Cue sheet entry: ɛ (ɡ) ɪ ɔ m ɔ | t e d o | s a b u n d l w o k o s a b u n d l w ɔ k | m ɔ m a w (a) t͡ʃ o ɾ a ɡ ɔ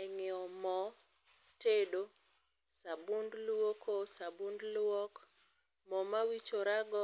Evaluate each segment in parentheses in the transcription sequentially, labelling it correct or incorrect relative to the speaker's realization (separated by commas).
incorrect, incorrect